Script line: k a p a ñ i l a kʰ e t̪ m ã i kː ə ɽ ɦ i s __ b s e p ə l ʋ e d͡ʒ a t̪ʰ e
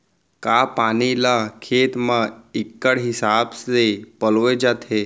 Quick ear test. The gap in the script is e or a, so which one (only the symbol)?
a